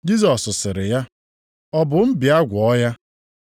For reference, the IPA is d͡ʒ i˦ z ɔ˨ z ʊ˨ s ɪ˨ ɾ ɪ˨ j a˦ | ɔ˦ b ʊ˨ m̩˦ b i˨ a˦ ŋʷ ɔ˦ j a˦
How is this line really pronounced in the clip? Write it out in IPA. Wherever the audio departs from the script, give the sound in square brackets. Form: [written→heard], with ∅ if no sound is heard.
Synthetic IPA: d͡ʒ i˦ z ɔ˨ [z→s] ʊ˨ s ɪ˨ ɾ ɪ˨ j a˦ | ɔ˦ b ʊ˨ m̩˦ b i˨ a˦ [ŋʷ→ɡʷ] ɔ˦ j a˦

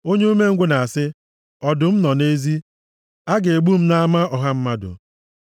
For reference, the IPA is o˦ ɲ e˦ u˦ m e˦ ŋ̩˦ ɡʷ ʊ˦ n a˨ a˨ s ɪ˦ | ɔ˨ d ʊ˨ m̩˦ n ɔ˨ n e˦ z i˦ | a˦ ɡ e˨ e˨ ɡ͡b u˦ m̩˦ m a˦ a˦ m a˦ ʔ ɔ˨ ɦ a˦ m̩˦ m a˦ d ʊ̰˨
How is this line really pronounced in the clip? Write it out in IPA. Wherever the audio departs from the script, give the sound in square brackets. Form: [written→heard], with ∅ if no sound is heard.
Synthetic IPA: o˦ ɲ e˦ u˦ m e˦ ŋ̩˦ ɡʷ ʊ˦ n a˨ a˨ s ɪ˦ | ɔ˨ d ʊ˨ m̩˦ n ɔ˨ n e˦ z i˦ | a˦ ɡ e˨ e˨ ɡ͡b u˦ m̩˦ [m→n] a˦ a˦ m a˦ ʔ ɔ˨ ɦ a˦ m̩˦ m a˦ d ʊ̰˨

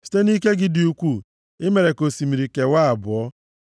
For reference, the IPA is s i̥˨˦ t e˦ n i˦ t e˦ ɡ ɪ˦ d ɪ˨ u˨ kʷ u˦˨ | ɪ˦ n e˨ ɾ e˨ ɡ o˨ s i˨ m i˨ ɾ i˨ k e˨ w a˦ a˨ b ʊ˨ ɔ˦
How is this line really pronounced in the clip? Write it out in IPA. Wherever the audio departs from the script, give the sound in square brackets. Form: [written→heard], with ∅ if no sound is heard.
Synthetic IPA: s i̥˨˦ t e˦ n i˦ [t→k] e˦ ɡ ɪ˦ d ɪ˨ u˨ kʷ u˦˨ | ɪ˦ [n→m] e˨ ɾ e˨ [ɡ→k] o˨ s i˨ m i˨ ɾ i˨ k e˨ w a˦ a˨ b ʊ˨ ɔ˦

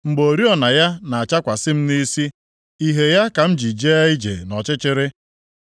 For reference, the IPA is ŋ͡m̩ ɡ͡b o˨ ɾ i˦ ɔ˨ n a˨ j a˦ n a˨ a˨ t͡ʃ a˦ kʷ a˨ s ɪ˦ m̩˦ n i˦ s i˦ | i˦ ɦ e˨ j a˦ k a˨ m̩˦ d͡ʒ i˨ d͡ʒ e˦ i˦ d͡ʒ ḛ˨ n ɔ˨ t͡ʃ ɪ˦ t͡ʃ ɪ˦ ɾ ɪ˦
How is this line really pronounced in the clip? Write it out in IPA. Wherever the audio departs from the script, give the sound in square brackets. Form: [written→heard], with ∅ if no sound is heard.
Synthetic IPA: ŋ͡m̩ ɡ͡b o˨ ɾ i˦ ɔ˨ n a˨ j a˦ n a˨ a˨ t͡ʃ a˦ kʷ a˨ s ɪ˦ m̩˦ n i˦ s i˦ | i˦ ɦ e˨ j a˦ k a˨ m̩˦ d͡ʒ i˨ d͡ʒ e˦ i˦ d͡ʒ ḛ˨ n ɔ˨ t͡ʃ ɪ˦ t͡ʃ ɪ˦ ɾ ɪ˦

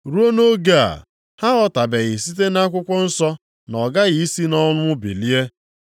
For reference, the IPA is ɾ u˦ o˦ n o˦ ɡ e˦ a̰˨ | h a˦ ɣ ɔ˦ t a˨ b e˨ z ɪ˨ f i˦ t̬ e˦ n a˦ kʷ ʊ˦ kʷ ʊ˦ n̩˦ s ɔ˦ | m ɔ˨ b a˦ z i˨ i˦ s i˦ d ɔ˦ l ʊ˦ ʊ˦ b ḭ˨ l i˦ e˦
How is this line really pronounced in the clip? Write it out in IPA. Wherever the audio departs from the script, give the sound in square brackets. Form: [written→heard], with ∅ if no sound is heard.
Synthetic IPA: ɾ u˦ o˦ n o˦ ɡ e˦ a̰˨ | h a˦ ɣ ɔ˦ t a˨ b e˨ [z→ɣ] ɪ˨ [f→s] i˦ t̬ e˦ n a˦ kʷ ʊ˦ kʷ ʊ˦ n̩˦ s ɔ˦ | [m→n] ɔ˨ [b→ɡ] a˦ [z→ɣ] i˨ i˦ s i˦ [d→n] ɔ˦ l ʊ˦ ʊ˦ b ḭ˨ l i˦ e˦

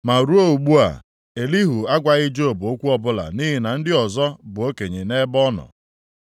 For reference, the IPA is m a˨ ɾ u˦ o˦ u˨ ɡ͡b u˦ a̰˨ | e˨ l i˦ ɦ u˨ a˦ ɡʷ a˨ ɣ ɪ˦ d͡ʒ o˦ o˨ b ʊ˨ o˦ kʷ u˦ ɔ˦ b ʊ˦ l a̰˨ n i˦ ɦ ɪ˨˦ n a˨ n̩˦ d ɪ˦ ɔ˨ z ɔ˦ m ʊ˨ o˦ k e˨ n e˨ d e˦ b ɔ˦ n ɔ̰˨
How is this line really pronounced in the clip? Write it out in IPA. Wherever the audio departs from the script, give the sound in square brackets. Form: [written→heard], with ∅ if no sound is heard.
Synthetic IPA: m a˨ ɾ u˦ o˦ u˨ ɡ͡b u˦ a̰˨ | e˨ l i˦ ɦ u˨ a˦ ɡʷ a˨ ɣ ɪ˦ d͡ʒ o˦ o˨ b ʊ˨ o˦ kʷ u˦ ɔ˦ b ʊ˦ l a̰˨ n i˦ ɦ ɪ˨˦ n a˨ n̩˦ d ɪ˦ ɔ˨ z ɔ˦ [m→b] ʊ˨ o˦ k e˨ [n→ɲ] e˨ [d→n] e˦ b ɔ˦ n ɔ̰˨

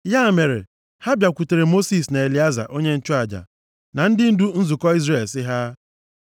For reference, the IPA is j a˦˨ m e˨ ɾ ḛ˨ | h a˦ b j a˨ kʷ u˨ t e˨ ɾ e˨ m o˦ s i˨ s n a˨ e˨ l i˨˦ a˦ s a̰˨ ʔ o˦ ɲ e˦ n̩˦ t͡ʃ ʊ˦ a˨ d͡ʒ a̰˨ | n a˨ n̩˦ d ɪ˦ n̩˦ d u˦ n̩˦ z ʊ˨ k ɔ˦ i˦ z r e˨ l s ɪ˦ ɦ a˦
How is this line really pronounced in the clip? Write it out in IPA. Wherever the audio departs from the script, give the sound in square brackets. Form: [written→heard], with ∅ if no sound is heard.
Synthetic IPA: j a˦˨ m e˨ ɾ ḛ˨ | h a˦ b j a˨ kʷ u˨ t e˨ ɾ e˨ m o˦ s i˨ s n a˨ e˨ l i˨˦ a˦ [s→z] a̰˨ ʔ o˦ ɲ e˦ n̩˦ t͡ʃ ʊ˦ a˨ d͡ʒ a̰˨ | n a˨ n̩˦ d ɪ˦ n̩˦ d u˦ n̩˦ z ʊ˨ k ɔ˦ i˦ z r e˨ l s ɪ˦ ɦ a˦

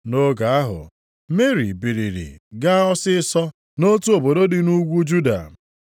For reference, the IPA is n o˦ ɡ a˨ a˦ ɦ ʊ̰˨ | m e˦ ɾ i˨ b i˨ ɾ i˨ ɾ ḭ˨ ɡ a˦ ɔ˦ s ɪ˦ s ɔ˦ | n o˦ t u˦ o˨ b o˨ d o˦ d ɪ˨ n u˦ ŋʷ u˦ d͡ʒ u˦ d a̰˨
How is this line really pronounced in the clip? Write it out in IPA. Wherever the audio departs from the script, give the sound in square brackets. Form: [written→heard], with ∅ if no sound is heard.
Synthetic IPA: n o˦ ɡ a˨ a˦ ɦ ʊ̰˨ | m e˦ ɾ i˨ b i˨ ɾ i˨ ɾ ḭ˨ ɡ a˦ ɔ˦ s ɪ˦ s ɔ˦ | n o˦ t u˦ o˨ b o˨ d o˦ d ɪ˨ n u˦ [ŋʷ→ɡʷ] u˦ d͡ʒ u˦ d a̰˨

